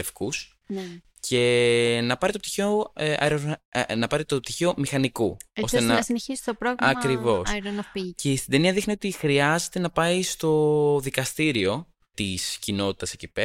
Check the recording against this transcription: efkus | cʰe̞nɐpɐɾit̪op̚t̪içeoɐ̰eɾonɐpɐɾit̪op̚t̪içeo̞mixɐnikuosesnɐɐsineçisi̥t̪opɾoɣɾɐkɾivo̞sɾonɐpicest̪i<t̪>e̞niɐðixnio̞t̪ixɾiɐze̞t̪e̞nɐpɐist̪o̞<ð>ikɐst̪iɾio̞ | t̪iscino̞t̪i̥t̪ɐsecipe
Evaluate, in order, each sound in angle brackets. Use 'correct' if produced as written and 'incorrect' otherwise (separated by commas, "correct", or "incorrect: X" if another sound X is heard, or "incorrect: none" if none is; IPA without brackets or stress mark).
incorrect: d̪, correct